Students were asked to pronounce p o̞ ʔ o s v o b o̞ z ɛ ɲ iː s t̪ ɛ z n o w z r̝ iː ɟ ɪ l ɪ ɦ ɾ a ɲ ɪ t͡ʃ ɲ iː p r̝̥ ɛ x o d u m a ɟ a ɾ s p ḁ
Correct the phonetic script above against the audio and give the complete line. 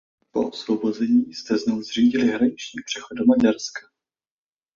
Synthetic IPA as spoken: p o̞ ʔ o s v o b o̞ z ɛ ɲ iː s t̪ ɛ z n o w z r̝ iː ɟ ɪ l ɪ ɦ ɾ a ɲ ɪ t͡ʃ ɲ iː p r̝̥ ɛ x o d o m a ɟ a ɾ s k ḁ